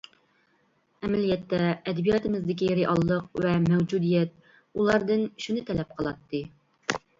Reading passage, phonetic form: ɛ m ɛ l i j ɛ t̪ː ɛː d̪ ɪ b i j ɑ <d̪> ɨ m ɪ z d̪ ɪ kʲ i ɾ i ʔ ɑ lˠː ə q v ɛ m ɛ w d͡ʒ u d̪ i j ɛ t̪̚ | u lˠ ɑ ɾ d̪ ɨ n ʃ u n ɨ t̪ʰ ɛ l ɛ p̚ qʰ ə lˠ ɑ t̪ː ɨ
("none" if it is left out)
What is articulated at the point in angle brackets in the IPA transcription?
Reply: t̪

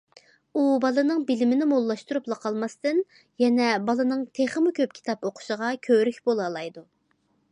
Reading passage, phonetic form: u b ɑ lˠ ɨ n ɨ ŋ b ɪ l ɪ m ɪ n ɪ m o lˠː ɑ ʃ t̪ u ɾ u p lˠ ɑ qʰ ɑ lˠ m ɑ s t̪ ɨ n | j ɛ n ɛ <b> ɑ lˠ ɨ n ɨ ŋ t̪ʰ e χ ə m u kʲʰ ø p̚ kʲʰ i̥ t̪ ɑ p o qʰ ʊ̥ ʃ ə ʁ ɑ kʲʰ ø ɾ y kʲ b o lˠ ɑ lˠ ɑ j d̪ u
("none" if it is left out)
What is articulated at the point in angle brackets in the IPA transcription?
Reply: b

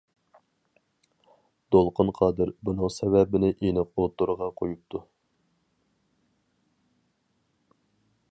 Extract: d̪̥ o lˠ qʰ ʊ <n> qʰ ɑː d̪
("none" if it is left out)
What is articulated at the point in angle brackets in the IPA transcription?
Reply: n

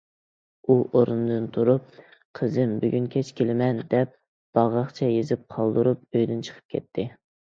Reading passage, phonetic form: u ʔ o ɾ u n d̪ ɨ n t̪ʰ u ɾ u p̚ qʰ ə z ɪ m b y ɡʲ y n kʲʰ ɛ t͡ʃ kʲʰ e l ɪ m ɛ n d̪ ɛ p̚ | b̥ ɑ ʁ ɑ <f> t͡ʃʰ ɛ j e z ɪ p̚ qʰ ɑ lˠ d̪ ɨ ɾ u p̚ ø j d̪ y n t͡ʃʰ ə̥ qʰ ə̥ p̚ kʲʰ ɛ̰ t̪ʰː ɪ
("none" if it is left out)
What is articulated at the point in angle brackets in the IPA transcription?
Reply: χ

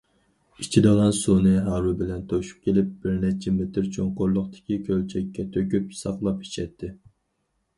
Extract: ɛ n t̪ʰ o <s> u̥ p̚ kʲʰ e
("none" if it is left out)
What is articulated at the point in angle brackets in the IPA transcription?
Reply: ʃ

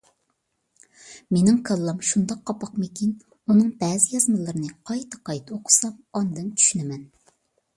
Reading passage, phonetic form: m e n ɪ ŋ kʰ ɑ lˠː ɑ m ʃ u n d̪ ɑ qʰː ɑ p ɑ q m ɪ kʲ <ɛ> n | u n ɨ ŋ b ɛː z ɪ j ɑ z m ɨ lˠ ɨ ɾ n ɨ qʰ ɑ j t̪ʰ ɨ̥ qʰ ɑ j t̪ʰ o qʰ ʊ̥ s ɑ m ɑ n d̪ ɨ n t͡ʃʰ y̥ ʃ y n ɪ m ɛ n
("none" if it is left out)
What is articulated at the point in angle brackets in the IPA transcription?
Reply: i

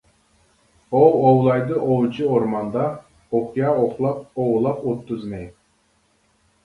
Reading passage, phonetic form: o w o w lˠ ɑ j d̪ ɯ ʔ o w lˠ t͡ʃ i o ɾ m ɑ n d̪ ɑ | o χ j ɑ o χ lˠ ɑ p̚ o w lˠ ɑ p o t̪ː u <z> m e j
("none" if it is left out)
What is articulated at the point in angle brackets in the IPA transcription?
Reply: z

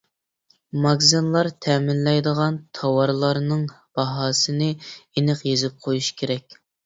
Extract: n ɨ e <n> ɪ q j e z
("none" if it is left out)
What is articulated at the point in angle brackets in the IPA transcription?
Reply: n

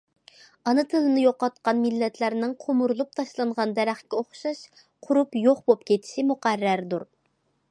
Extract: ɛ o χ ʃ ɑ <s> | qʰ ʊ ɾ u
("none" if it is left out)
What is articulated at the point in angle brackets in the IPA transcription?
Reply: ʃ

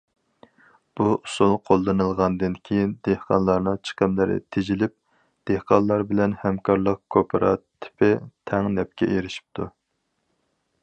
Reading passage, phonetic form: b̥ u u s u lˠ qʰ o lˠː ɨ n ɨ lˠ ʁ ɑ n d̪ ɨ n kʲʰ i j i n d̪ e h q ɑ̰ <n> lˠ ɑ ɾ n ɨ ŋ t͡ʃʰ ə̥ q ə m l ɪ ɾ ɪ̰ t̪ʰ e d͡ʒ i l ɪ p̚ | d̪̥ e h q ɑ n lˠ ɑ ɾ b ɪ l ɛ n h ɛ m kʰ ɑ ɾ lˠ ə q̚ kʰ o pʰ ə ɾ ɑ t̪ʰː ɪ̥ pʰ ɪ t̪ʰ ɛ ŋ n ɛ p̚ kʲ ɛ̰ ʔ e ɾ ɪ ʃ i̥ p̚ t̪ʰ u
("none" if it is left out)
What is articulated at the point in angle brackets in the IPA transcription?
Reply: n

